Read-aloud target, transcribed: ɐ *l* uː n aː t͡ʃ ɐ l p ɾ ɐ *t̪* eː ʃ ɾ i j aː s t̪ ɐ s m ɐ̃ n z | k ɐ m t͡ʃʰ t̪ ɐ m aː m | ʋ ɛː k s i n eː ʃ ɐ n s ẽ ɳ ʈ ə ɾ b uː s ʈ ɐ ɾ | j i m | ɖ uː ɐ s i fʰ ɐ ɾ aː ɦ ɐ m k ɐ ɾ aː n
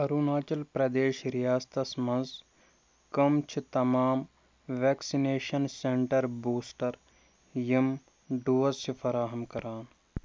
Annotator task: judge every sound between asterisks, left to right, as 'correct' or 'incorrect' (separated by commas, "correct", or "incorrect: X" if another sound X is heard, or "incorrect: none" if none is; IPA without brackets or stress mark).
incorrect: ɾ, incorrect: d̪